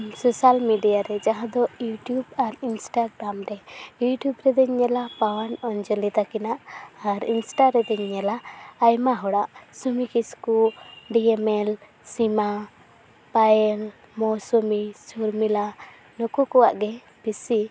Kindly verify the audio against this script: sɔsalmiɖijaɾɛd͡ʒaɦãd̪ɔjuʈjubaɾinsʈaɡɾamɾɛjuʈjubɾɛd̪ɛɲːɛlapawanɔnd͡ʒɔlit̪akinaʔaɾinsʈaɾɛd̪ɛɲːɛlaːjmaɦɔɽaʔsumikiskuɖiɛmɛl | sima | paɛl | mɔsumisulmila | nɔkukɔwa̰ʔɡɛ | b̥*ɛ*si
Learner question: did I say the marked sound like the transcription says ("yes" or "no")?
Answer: no